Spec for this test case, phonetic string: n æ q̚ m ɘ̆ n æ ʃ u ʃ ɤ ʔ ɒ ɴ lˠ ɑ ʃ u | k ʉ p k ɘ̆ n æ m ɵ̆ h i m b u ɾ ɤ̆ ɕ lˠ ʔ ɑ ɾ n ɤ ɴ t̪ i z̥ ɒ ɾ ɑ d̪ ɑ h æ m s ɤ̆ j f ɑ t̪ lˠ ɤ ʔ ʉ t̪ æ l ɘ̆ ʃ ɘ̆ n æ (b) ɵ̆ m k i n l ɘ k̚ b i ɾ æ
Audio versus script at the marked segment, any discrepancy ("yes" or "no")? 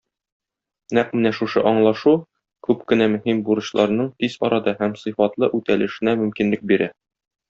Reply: yes